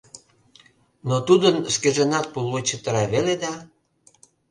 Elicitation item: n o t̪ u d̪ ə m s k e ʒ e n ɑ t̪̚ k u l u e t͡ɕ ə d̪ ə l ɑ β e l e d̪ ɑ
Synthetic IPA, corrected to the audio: n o t̪ u d̪ ə n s k e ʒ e n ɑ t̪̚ p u l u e t͡ɕ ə t̪ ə ɾ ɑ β e l e d̪ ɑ